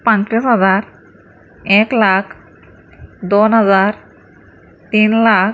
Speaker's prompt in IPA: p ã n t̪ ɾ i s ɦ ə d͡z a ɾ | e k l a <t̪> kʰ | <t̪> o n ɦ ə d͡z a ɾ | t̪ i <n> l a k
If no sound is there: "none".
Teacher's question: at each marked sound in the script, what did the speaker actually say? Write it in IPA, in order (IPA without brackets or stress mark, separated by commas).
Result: none, d̪, n